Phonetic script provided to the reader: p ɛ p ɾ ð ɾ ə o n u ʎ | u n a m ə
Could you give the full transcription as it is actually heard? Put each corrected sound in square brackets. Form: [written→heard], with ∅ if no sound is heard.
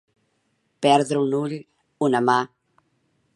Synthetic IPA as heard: p ɛ [p→∅] ɾ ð ɾ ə [o→u] n u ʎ | u n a m [ə→a]